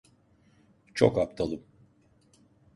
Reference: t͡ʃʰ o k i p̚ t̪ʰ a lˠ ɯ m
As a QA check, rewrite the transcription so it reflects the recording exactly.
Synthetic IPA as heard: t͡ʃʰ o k a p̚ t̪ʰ a lˠ ɯ m